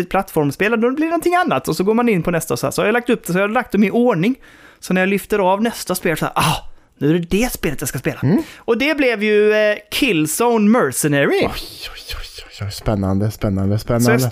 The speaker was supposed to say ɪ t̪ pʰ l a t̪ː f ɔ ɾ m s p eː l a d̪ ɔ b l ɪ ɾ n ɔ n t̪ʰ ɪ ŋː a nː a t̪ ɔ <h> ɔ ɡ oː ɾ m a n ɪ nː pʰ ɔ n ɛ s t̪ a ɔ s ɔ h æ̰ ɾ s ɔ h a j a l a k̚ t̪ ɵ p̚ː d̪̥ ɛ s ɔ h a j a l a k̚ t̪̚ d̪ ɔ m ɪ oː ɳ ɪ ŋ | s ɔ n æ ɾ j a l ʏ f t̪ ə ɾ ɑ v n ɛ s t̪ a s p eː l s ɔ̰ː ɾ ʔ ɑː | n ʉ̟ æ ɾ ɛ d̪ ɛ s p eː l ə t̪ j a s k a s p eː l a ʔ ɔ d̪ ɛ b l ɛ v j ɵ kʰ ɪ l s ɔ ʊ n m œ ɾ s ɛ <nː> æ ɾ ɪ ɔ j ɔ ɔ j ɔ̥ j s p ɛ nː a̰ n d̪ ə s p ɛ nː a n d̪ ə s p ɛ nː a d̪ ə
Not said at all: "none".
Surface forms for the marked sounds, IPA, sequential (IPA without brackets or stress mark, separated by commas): s, n